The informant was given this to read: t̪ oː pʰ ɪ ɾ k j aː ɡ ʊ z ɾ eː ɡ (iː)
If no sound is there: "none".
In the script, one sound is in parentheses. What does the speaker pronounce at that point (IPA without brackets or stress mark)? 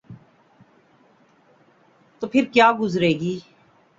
iː